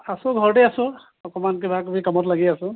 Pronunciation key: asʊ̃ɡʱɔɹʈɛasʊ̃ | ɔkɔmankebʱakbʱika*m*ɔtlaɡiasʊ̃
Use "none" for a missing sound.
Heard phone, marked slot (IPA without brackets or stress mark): m